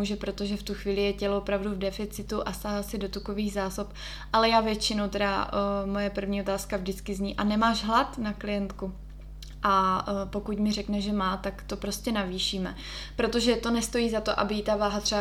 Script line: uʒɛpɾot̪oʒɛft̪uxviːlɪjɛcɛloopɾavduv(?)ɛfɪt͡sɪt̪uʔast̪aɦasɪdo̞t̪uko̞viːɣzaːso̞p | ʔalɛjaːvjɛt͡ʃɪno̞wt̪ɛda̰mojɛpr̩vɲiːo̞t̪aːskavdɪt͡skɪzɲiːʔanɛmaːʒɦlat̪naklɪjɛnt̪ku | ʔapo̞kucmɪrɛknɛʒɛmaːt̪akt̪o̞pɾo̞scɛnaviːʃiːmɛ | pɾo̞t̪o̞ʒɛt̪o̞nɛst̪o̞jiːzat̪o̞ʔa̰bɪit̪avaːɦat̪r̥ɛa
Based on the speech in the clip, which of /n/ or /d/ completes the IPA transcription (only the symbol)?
d